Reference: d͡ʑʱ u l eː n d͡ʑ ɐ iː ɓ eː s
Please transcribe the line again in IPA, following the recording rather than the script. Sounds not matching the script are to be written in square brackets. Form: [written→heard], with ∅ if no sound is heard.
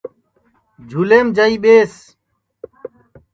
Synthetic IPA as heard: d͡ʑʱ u l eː [n→m] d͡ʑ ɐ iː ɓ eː s